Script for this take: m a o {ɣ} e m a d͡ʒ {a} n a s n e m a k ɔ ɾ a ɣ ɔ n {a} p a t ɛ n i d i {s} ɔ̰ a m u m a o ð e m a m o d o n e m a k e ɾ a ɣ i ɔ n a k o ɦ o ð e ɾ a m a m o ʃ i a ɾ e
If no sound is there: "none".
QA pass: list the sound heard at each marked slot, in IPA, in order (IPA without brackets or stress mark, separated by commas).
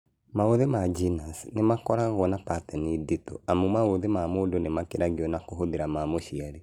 ð, i, a, t